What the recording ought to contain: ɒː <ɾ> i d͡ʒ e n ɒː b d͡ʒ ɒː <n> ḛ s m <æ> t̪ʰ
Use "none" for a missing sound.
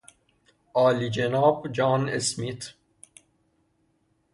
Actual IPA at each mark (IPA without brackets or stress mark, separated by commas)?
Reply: l, n, i